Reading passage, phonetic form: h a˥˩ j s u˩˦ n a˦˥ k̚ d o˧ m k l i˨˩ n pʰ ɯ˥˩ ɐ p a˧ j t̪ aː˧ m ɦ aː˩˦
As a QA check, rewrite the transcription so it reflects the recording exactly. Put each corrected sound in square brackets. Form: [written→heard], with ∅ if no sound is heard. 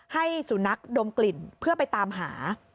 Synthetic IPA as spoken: h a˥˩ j s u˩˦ n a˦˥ k̚ d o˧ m k l i˨˩ n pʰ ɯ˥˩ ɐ p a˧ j t̪ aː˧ m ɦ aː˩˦